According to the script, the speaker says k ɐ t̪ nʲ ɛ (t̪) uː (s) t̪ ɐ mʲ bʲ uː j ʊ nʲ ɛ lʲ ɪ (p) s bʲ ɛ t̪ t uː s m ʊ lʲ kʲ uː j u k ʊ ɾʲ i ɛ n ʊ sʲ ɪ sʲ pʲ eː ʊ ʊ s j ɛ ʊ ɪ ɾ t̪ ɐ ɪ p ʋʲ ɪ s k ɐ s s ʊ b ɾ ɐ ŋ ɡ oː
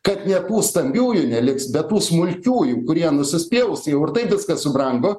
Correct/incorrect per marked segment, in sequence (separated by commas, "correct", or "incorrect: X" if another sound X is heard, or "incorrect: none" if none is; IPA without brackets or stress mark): correct, correct, incorrect: k